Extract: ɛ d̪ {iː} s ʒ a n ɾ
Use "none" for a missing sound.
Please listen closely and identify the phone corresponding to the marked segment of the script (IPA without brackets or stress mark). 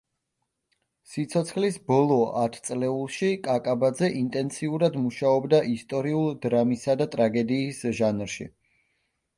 iː